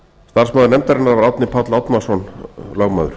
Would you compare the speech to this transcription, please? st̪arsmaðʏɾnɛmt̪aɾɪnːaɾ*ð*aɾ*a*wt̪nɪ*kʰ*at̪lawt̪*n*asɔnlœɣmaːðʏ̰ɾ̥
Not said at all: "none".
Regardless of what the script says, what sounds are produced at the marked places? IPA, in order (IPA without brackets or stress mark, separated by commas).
v, a, pʰ, m